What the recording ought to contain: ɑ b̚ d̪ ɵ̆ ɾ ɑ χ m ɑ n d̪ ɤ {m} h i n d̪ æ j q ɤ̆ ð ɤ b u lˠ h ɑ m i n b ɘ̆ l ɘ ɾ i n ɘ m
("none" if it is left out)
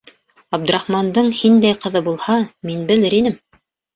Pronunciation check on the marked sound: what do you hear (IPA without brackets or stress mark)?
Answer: ɴ